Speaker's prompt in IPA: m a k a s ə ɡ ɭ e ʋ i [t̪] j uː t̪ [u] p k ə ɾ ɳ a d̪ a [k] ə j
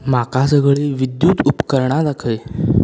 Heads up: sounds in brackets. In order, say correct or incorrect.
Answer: incorrect: d̪, correct, incorrect: kʰ

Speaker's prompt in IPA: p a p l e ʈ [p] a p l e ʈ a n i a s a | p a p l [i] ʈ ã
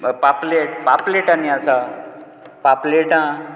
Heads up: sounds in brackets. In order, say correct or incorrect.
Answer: correct, incorrect: e

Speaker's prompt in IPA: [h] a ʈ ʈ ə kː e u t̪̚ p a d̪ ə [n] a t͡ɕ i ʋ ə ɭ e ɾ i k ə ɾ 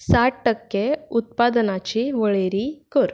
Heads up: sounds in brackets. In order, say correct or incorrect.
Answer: incorrect: s, correct

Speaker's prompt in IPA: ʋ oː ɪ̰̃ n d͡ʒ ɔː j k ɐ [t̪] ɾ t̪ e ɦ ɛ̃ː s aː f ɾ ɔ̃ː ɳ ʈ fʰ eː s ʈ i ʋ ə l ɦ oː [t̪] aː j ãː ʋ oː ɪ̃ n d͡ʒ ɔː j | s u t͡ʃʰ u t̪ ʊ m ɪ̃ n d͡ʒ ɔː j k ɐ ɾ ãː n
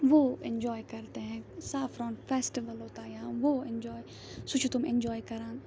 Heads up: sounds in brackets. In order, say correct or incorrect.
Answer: incorrect: none, correct

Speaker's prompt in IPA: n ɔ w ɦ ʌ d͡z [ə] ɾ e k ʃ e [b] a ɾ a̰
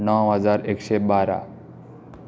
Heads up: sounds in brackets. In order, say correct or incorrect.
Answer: incorrect: a, correct

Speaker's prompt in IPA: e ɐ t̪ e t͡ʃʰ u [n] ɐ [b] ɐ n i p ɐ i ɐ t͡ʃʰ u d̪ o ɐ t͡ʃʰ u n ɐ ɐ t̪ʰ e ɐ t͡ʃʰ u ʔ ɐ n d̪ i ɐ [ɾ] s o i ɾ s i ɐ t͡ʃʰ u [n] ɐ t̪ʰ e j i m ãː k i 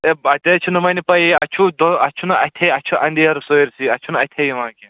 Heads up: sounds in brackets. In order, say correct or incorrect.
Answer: correct, incorrect: m, correct, correct

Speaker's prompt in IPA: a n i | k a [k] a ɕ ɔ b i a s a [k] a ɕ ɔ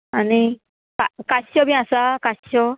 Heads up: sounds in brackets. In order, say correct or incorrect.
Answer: correct, correct

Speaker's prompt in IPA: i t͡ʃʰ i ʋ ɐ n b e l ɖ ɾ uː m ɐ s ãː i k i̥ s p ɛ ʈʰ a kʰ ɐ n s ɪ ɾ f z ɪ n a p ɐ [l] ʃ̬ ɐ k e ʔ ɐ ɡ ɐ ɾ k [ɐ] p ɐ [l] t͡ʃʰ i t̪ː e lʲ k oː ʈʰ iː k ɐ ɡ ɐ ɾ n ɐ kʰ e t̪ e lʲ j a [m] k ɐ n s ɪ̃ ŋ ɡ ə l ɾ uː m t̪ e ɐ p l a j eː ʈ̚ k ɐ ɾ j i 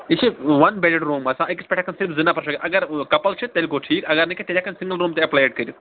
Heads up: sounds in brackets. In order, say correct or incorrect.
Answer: incorrect: ɾ, correct, correct, incorrect: none

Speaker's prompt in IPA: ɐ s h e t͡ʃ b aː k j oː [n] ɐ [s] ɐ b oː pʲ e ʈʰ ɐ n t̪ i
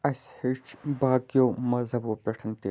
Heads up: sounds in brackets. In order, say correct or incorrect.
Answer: incorrect: m, incorrect: z

